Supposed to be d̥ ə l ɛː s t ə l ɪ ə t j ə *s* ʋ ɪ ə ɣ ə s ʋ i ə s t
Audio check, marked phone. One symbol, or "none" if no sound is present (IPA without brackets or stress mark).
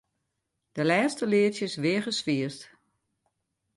s